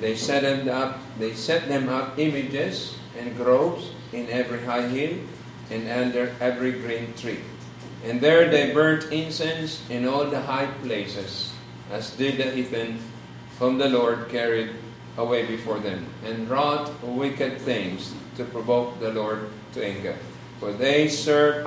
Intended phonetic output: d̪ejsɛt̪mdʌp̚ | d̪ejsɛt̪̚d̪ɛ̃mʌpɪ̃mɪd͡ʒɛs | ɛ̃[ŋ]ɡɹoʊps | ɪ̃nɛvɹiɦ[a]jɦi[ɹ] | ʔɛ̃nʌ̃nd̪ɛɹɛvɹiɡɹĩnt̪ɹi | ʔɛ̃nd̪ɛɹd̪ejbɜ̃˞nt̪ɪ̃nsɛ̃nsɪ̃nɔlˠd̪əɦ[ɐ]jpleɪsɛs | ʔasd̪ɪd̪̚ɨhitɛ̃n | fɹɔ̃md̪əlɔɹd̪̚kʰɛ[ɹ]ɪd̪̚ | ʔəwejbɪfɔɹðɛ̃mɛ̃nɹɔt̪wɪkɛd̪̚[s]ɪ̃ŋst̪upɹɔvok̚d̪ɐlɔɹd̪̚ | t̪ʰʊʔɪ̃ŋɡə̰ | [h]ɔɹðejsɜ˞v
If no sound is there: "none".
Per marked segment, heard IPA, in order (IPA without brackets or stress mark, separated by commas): n, a, l, a, ɹ, θ, f